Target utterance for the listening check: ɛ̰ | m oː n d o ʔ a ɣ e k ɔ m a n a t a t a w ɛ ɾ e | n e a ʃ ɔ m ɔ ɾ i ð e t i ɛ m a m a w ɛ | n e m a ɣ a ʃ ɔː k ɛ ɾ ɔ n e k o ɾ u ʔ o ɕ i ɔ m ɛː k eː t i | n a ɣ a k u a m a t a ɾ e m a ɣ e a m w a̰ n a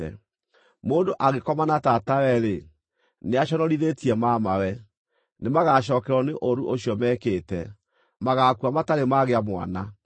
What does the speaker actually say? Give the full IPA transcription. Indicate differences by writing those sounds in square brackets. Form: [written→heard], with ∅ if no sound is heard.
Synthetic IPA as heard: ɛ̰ | m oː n d o ʔ a ɣ e k ɔ m a n a t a t a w ɛ ɾ e | n e a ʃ ɔ [m→n] ɔ ɾ i ð e t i ɛ m a m a w ɛ | n e m a ɣ a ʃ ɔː k ɛ ɾ ɔ n e [k→ʔ] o ɾ u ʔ o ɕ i ɔ m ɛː k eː t [i→ɛ] | [n→m] a ɣ a k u a m a t a ɾ e m a ɣ e a m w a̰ n a

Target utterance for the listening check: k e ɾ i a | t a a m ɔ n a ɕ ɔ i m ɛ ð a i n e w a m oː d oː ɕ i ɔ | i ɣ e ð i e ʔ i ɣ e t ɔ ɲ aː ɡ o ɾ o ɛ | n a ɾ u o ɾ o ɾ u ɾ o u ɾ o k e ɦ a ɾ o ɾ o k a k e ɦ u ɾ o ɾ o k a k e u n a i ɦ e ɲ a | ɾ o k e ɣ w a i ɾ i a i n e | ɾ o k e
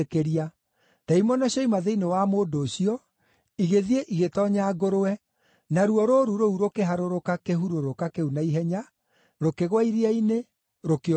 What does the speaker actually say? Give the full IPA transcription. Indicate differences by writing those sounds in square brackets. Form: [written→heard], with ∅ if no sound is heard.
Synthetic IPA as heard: k e ɾ i a | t a [a→i] m ɔ n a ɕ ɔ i m [ɛ→a] ð [a→e] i n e w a m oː d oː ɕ i ɔ | i ɣ e ð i e ʔ i ɣ e t ɔ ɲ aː ɡ o ɾ o ɛ | n a ɾ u [o→ɔ] ɾ o ɾ u ɾ o u ɾ o k e ɦ a ɾ o ɾ o k a k e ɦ u ɾ o ɾ o k a k e u n a i ɦ [e→ɛ] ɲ a | ɾ o k e ɣ w a i ɾ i a i n e | ɾ o k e

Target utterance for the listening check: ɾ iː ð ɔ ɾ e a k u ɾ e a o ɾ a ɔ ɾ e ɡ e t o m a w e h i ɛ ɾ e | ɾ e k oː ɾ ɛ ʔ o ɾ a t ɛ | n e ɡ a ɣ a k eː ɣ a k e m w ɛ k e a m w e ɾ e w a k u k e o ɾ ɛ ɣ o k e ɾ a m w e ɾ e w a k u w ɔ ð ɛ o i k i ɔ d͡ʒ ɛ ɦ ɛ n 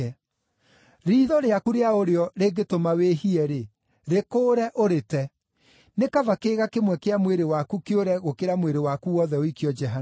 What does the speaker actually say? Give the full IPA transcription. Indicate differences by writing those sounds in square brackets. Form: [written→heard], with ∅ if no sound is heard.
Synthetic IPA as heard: ɾ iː ð ɔ ɾ e a k u ɾ e a o ɾ [a→e] ɔ ɾ e ɡ e t o m a w e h i ɛ ɾ e | ɾ e k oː ɾ ɛ ʔ o ɾ [a→e] t ɛ | n e [ɡ→k] a [ɣ→v] a k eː ɣ a k e m w ɛ k e a m w e ɾ e w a k u k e o ɾ ɛ ɣ o k e ɾ a m w e ɾ e w a k u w ɔ ð ɛ o i k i ɔ d͡ʒ ɛ ɦ [ɛ→a] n

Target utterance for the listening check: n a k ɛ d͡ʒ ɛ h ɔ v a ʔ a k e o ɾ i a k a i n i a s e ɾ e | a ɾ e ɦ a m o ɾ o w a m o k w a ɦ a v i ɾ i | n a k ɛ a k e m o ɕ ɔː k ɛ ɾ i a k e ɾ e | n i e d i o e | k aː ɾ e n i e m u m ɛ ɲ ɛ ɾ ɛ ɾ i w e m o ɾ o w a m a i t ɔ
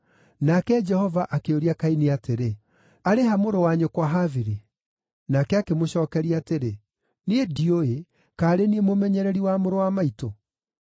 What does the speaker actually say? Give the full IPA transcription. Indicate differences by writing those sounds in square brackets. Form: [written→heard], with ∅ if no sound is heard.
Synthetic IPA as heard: n a k ɛ d͡ʒ ɛ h ɔ v a ʔ a k e o ɾ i a k a i n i a [s→t] e ɾ e | a ɾ e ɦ a m o ɾ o w a [m→ɲ] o k w a ɦ a v i ɾ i | n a k ɛ a k e m o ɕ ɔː k ɛ ɾ i a [k→t] e ɾ e | n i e d i o e | k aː ɾ e n i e m [u→o] m ɛ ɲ ɛ ɾ ɛ ɾ i w [e→a] m o ɾ o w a m a i t [ɔ→o]

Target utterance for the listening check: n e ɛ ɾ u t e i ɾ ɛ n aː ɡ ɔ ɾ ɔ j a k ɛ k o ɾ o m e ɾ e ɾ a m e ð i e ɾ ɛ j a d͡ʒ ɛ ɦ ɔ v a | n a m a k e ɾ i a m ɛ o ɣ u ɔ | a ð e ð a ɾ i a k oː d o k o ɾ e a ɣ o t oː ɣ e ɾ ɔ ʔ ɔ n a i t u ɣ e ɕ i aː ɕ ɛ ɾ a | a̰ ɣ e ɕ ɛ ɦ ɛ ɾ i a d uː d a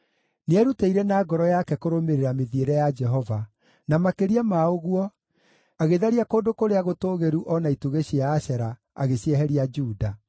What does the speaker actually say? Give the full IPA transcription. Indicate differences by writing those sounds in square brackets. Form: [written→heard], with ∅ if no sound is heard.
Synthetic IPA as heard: n e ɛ ɾ u t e i ɾ ɛ n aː ɡ ɔ ɾ ɔ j a k ɛ k o ɾ o m e ɾ e ɾ a m e ð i e ɾ ɛ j a d͡ʒ ɛ ɦ ɔ v a | n a m a k e ɾ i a m [ɛ→a] o ɣ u ɔ | a [ð→ɣ] e ð a ɾ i a k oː d o k o ɾ e a ɣ o t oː ɣ e ɾ [ɔ→u] ʔ ɔ n a i t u ɣ e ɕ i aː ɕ ɛ ɾ a | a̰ ɣ e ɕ ɛ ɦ ɛ ɾ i a [d→d͡ʒ] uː d a

